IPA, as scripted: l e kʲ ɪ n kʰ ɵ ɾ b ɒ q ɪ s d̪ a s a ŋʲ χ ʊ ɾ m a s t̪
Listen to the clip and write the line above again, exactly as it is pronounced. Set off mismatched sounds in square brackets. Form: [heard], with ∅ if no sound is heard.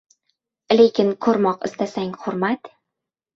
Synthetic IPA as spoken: l e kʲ ɪ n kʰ ɵ ɾ [m] ɒ q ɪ s [t̪] a s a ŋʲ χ ʊ ɾ m a [∅] t̪